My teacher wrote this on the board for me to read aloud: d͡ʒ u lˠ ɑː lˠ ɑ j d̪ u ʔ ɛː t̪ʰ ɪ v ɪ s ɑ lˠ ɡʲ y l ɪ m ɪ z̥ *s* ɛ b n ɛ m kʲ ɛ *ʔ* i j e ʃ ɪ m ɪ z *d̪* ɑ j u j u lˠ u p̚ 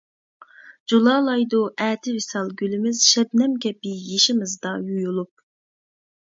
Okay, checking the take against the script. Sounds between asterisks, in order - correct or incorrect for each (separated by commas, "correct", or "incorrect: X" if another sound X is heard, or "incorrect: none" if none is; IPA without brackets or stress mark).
incorrect: ʃ, incorrect: p, correct